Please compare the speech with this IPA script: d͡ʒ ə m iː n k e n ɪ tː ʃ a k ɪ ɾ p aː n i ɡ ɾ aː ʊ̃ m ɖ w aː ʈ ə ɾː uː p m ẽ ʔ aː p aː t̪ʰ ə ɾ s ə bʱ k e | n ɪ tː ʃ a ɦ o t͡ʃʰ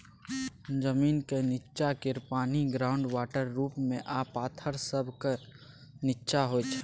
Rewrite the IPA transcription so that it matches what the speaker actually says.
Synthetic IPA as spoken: d͡ʒ ə m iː n k e n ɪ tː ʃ a k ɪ ɾ p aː n i ɡ ɾ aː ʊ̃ ɳ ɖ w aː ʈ ə ɾː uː p m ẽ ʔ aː p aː t̪ʰ ə ɾ s ə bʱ k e | n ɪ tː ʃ a ɦ o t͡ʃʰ